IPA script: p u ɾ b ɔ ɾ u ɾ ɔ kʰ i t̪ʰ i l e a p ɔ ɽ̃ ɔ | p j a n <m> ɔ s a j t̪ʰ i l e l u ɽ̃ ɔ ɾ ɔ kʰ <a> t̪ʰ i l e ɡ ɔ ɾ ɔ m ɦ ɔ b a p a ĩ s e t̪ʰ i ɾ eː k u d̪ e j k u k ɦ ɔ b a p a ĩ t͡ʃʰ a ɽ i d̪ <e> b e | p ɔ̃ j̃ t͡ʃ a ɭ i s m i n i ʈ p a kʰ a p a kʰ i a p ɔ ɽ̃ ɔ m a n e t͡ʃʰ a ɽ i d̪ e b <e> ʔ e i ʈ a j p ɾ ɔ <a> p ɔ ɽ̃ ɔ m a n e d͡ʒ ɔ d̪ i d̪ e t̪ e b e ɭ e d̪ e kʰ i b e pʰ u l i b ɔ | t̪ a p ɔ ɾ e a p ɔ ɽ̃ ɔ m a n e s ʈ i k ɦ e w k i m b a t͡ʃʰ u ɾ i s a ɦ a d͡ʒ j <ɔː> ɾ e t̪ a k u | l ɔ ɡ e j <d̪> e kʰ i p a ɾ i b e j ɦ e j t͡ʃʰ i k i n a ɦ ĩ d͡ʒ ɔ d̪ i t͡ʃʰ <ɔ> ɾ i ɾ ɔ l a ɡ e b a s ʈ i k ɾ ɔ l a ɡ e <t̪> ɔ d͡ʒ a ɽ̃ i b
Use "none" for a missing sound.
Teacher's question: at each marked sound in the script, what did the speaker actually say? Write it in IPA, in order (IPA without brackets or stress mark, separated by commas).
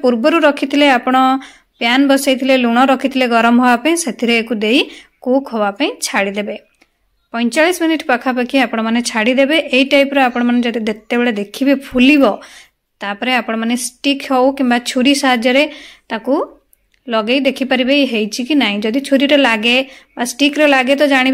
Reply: b, i, e, e, a, ɔ, d̪, u, t̪